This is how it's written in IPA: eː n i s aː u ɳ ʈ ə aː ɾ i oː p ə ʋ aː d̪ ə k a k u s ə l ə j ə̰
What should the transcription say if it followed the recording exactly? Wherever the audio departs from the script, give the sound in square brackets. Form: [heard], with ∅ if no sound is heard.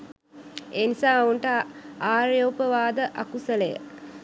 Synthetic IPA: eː n i s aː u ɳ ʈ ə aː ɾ [j] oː p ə ʋ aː d̪ ə [ʔ] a k u s ə l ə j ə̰